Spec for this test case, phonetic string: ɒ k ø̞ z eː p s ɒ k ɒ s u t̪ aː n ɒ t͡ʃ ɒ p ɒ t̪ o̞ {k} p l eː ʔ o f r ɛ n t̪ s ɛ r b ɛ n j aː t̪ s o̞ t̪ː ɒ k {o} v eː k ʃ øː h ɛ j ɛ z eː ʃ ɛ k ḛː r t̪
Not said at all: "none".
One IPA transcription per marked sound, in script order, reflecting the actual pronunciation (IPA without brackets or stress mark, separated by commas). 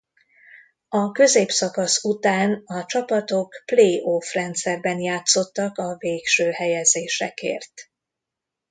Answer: k, ɒ